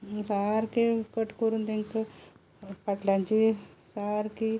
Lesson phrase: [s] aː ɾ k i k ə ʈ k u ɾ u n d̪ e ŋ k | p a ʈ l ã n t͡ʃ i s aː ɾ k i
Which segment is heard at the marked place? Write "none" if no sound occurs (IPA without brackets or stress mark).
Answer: s